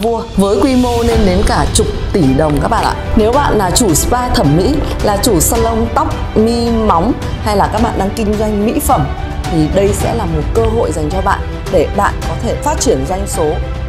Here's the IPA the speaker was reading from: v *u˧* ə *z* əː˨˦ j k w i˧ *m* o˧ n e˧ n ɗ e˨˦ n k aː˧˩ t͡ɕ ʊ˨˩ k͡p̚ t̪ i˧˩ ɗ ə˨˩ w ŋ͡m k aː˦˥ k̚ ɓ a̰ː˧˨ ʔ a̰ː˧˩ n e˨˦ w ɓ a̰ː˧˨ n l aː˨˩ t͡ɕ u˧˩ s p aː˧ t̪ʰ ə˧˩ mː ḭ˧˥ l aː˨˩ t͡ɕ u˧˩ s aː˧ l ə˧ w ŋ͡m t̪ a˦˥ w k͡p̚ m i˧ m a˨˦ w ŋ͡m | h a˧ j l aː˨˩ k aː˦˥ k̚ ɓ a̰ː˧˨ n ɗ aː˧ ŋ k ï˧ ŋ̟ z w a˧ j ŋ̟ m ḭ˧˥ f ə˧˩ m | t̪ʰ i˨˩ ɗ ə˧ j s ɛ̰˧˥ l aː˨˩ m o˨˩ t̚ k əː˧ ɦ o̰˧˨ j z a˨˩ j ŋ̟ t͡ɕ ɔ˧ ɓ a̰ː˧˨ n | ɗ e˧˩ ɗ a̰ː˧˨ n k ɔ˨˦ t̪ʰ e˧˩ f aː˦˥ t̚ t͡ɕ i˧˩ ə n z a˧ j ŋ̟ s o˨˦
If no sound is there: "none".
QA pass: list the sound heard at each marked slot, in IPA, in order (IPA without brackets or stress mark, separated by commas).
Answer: u˧, v, m